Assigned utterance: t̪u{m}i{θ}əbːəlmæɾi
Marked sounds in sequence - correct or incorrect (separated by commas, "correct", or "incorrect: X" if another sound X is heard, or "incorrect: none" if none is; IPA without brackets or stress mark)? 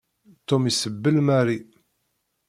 correct, incorrect: s